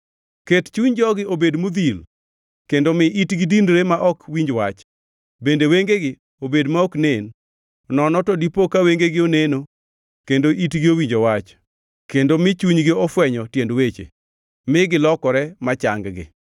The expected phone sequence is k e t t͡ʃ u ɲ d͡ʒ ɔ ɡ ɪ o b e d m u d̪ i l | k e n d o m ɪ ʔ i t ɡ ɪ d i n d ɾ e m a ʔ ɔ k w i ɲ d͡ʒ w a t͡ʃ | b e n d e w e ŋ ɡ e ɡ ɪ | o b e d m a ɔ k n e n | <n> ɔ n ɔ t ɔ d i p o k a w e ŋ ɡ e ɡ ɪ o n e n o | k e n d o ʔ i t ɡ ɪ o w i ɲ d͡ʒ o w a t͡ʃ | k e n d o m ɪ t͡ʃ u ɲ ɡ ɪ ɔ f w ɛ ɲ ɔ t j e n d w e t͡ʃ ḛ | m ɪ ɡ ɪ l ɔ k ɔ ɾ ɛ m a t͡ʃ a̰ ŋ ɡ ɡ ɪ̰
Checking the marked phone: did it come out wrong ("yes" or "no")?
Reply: no